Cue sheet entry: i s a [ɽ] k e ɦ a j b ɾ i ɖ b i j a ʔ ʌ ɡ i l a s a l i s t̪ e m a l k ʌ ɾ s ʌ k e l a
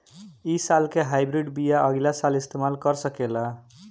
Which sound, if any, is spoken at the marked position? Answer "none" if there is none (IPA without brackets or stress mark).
l